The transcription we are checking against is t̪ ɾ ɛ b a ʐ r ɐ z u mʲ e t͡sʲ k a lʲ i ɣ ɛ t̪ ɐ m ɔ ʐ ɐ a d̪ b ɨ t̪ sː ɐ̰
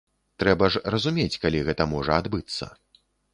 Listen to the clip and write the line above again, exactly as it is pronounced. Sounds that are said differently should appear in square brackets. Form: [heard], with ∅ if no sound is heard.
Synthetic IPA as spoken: t̪ ɾ ɛ b [ɐ] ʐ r ɐ z u mʲ e t͡sʲ k a lʲ i ɣ ɛ t̪ ɐ m ɔ ʐ ɐ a d̪ b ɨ t̪ sː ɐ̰